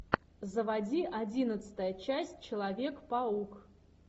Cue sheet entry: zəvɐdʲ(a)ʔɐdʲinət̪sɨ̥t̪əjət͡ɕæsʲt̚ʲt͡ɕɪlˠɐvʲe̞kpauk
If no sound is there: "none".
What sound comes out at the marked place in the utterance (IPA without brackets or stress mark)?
i